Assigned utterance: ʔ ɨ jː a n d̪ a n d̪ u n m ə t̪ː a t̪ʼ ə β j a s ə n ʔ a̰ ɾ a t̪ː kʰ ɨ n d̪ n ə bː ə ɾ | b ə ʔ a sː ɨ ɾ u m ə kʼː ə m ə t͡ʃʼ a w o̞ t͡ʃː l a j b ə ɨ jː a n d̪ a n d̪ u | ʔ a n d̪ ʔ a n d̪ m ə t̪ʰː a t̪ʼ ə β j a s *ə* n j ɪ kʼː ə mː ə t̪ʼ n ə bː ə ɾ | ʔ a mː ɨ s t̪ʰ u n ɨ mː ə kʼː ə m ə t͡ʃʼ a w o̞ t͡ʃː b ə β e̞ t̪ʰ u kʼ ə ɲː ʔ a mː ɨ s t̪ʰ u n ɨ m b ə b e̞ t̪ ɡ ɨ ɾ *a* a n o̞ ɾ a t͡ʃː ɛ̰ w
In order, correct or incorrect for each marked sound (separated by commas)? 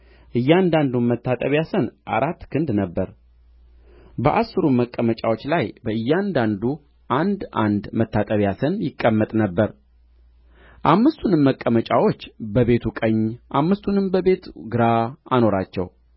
correct, correct